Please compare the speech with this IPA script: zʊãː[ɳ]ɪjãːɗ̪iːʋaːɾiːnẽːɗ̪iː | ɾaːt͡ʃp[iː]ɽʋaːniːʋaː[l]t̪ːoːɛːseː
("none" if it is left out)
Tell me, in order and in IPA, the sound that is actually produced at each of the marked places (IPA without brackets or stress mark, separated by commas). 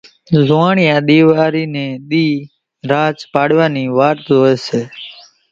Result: ɳ, aː, ɾ